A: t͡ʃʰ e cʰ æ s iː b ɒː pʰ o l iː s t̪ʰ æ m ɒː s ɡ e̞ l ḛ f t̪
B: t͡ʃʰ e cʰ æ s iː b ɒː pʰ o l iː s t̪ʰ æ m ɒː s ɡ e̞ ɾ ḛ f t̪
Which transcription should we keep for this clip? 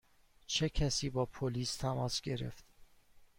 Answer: B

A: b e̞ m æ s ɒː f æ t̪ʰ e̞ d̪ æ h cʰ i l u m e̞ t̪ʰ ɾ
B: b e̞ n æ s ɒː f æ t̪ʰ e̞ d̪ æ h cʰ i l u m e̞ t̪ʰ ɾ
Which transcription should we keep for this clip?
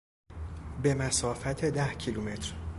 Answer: A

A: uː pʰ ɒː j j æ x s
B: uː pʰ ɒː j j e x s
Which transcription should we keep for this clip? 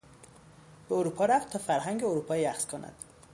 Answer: A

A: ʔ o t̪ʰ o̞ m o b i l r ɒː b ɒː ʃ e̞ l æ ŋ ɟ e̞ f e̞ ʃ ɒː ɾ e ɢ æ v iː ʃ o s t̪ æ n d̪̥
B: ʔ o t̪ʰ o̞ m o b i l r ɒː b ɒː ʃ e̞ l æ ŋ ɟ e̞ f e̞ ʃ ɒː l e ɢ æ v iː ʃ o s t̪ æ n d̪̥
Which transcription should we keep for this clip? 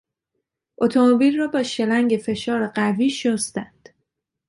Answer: A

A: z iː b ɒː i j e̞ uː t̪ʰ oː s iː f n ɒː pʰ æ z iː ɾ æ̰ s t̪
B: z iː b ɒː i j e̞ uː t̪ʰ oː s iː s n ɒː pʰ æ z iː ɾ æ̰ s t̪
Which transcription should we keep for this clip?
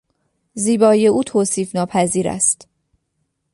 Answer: A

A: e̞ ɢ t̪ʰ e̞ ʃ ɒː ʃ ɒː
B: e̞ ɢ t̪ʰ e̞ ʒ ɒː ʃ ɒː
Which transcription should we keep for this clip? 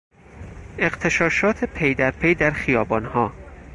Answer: A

